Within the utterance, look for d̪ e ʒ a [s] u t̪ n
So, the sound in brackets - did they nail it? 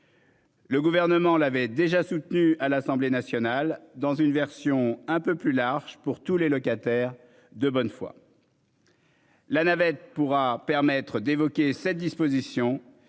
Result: yes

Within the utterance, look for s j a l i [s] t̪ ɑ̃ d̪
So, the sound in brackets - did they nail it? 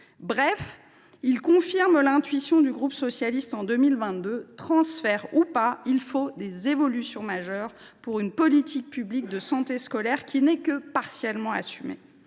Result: yes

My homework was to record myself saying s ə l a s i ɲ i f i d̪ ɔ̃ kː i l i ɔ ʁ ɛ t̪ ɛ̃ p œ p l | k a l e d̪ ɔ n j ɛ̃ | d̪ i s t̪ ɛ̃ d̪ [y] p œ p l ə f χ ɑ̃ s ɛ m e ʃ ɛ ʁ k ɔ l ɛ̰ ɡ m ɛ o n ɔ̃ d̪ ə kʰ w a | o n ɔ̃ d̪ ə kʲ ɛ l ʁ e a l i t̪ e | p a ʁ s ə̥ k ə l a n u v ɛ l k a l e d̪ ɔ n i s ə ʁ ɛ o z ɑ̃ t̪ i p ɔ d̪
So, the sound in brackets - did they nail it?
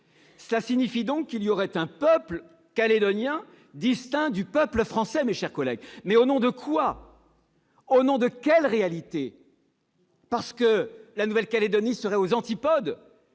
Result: yes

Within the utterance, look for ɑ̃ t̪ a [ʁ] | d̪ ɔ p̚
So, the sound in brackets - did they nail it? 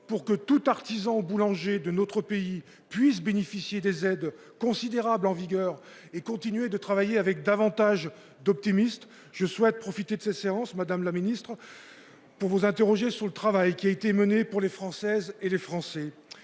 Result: no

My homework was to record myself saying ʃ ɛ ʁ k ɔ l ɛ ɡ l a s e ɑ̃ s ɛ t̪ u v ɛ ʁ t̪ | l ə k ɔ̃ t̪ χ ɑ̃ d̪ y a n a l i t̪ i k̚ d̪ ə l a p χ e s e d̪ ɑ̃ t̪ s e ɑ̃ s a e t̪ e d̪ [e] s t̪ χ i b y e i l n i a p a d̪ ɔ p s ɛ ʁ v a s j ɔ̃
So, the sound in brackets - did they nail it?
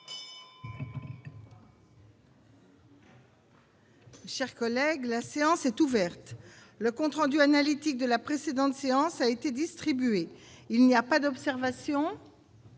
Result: no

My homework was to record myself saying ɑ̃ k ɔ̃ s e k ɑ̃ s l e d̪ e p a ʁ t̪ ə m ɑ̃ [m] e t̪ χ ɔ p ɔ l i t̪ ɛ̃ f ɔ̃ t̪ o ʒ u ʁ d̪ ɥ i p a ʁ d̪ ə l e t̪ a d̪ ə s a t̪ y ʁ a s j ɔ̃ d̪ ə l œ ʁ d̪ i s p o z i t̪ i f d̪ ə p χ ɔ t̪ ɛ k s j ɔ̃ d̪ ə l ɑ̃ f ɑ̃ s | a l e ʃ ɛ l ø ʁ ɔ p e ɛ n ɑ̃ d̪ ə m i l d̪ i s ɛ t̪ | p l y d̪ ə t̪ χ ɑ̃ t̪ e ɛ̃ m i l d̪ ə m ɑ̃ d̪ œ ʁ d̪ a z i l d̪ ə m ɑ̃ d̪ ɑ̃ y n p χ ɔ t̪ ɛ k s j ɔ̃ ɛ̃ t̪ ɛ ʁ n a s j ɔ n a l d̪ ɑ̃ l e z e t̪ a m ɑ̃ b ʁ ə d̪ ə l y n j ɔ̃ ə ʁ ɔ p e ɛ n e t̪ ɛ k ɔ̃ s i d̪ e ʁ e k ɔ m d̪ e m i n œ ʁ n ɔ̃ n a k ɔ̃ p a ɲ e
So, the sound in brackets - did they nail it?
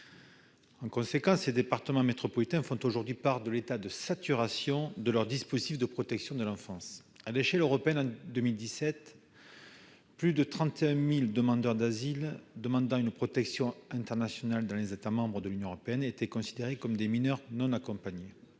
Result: yes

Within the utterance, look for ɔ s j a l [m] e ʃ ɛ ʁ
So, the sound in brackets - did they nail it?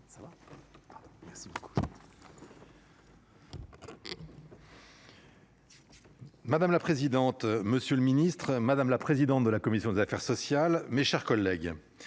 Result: yes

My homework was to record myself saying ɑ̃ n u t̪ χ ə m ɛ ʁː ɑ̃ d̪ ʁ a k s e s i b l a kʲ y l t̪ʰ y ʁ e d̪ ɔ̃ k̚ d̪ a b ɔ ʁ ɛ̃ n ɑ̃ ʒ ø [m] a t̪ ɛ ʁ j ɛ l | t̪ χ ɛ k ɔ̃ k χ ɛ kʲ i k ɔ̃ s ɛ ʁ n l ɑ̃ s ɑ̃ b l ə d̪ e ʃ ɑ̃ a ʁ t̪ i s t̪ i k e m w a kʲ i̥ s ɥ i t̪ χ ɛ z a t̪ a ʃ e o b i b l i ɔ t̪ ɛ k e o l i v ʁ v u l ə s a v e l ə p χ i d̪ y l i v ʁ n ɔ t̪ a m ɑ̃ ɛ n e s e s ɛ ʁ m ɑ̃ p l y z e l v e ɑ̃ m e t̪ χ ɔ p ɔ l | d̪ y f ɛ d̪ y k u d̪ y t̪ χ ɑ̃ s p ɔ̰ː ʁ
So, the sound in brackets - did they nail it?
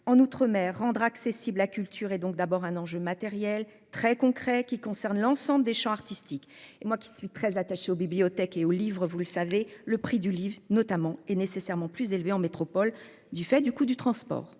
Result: yes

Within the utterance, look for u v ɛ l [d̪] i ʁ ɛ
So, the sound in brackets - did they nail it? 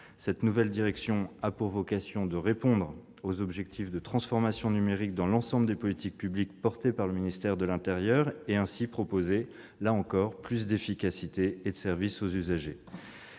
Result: yes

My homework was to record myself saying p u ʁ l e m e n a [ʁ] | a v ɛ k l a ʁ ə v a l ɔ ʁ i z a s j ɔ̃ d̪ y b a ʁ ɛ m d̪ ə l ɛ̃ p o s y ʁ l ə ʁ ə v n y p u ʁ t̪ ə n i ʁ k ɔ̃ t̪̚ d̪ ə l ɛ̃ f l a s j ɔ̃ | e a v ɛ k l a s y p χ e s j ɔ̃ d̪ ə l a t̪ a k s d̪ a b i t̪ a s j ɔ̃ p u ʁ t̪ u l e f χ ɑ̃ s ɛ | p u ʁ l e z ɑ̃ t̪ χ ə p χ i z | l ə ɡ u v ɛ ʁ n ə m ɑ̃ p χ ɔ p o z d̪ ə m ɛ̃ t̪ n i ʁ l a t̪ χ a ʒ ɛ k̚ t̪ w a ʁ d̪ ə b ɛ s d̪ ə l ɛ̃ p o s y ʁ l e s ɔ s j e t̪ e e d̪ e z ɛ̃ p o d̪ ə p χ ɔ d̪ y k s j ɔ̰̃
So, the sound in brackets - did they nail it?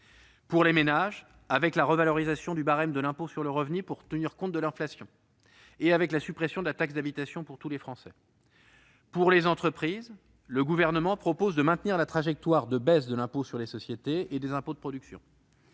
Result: no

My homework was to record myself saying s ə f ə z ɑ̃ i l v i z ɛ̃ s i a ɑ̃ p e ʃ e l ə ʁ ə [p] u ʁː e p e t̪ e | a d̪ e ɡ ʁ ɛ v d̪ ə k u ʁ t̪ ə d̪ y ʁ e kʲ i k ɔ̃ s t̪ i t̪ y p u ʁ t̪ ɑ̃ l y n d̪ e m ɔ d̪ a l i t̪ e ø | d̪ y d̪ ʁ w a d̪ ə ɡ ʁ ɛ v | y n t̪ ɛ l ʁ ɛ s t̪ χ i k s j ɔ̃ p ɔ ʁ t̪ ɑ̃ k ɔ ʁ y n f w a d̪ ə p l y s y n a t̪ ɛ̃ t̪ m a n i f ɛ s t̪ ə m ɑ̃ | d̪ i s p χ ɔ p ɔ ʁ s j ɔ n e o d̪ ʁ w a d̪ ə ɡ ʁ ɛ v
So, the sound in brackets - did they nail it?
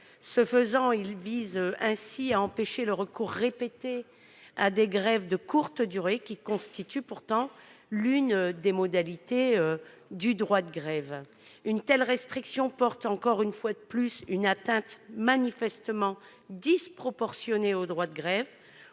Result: no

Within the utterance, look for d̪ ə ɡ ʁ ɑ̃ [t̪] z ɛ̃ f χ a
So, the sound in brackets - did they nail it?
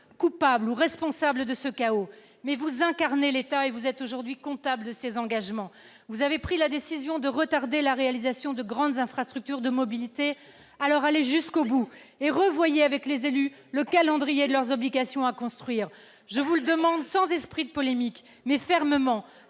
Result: no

